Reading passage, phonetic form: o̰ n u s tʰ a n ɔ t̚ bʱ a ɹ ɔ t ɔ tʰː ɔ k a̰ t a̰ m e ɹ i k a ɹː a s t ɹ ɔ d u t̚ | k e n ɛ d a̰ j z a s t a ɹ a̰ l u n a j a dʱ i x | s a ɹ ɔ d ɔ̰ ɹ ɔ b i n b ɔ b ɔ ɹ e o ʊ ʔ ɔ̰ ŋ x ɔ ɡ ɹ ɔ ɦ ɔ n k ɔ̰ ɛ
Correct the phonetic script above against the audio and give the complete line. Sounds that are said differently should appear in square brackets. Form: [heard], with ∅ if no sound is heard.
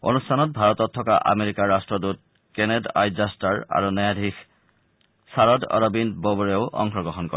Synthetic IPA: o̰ n u s tʰ a n ɔ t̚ bʱ a ɹ ɔ t ɔ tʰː ɔ k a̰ [ʔ] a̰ m e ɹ i k a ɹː a s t ɹ ɔ d u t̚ | k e n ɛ d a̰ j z a s t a ɹ a̰ [ɹ] u n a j a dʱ i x | s a ɹ ɔ d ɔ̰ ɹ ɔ b i n b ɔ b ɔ ɹ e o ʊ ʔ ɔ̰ ŋ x ɔ ɡ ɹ ɔ ɦ ɔ n k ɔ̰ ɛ

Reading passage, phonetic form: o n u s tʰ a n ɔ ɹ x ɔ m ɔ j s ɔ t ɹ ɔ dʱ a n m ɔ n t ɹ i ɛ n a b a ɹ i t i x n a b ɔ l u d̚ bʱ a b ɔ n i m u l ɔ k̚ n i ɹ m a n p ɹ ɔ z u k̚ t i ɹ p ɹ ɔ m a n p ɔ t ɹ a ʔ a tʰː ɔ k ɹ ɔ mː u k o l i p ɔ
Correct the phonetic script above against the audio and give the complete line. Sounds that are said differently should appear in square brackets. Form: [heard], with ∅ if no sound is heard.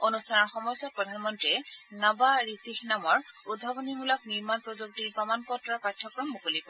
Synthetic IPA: o n u s tʰ a n ɔ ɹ x ɔ m ɔ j s ɔ [p] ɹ ɔ dʱ a n m ɔ n t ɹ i ɛ n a b a ɹ i t i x n a [m] ɔ [ɹ] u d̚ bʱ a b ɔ n i m u l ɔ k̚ n i ɹ m a n p ɹ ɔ z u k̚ t i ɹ p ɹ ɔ m a n p ɔ t ɹ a [p] a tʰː ɔ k ɹ ɔ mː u k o l i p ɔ

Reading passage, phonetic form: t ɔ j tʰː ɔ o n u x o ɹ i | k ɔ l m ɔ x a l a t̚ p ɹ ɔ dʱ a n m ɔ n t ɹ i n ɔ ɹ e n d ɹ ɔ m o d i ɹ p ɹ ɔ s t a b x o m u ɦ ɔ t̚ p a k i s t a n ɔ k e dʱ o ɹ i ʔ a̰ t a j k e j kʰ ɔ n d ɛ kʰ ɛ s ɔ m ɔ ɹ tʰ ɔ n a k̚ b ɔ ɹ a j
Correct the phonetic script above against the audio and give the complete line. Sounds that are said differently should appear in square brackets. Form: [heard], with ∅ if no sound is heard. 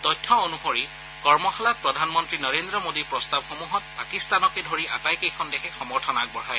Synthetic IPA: t ɔ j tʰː ɔ o n u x o ɹ i | k ɔ [ɹ] m ɔ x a l a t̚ p ɹ ɔ dʱ a n m ɔ n t ɹ i n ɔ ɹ e n d ɹ ɔ m o d i ɹ p ɹ ɔ s t a b x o m u ɦ ɔ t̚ p a k i s t a n ɔ k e dʱ o ɹ i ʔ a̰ t a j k e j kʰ ɔ n d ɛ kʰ ɛ [x] ɔ m ɔ ɹ tʰ ɔ n a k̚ b ɔ ɹ a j

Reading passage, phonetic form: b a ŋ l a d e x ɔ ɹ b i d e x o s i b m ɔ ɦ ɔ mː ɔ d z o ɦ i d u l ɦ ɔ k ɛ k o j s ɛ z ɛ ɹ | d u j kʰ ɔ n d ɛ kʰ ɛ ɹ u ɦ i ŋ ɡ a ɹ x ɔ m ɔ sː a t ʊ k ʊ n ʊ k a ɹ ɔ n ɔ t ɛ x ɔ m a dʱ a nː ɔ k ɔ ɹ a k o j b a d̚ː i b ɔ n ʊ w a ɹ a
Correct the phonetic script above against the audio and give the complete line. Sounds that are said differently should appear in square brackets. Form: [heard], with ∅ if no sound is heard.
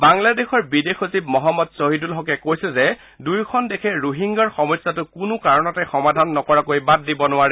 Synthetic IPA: b a ŋ l a d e x ɔ ɹ b i d e x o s i b m ɔ ɦ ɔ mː ɔ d [s] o ɦ i d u l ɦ ɔ k ɛ k o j s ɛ z ɛ [∅] | d u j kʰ ɔ n d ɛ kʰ ɛ ɹ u ɦ i ŋ ɡ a ɹ x ɔ m ɔ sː a t ʊ k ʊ n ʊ k a ɹ ɔ n ɔ t ɛ x ɔ m a dʱ a nː ɔ k ɔ ɹ a k o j b a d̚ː i b ɔ n ʊ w a ɹ [ɛ]

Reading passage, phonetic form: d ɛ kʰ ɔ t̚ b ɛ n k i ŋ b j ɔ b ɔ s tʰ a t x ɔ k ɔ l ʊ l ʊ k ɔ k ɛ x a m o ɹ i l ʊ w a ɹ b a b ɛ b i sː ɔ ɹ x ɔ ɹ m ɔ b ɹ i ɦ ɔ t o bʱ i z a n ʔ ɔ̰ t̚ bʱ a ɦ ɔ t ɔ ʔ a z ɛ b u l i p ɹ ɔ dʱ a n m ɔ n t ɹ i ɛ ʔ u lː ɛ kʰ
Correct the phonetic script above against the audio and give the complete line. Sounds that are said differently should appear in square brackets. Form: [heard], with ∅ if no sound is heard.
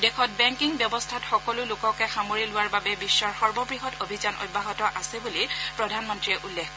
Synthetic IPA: d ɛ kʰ ɔ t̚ b ɛ [ŋ] k i ŋ b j ɔ b ɔ s tʰ a t x ɔ k ɔ l ʊ l ʊ k ɔ k ɛ x a m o ɹ i l ʊ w a ɹ b a b ɛ b i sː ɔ ɹ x ɔ ɹ [b] ɔ b ɹ i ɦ ɔ t o bʱ i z a n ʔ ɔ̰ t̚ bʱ a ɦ ɔ t ɔ ʔ a [s] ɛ b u l i p ɹ ɔ dʱ a n m ɔ n t ɹ i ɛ ʔ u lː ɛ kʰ

